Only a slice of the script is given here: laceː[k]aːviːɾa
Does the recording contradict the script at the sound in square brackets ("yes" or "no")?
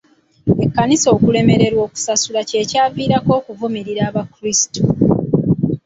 yes